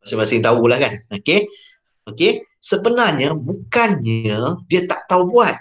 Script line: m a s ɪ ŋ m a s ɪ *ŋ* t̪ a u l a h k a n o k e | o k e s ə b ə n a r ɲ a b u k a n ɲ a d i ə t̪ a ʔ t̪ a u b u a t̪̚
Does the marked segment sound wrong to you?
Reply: no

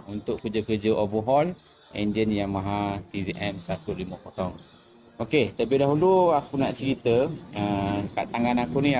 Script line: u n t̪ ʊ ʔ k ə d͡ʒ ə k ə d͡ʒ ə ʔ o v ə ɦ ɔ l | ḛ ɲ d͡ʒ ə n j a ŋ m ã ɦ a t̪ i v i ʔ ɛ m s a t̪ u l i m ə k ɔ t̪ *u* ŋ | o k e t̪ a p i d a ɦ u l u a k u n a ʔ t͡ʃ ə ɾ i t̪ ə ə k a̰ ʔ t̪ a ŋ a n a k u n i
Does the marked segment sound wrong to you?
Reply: yes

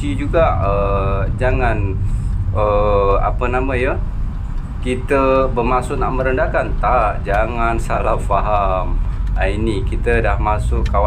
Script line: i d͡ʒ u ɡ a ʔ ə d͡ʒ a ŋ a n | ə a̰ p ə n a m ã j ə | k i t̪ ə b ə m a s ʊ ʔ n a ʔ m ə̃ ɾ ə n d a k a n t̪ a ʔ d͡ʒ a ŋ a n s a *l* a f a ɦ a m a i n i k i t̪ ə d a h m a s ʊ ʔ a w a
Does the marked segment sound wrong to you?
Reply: no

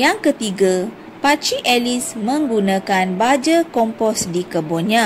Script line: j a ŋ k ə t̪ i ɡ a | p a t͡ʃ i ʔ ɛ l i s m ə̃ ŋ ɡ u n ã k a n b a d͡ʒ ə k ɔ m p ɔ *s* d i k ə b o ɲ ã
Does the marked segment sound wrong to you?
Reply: no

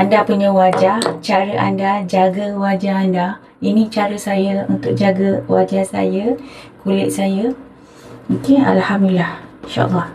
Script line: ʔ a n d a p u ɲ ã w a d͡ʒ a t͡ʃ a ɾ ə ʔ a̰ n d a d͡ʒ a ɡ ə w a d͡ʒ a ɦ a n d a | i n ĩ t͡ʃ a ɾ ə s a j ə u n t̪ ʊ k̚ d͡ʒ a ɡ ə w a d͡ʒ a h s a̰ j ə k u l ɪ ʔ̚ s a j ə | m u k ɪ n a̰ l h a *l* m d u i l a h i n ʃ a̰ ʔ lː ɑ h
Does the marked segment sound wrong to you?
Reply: yes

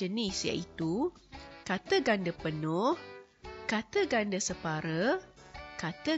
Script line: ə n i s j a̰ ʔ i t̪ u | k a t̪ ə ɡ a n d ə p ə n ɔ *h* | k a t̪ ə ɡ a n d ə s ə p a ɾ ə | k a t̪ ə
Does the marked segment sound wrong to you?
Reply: no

